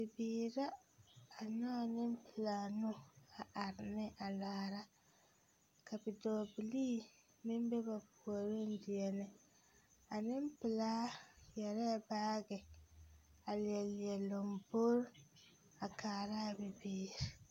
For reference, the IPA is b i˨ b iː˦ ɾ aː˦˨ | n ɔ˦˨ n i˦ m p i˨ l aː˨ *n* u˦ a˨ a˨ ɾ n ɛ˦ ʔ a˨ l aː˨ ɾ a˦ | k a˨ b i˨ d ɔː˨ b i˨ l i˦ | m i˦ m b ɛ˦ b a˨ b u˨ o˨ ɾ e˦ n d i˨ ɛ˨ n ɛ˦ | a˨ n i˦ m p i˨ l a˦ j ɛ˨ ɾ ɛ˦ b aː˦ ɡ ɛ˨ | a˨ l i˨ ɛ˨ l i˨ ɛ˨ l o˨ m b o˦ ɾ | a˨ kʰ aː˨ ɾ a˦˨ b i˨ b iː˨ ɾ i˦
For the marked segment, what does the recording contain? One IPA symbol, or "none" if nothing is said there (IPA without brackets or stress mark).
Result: n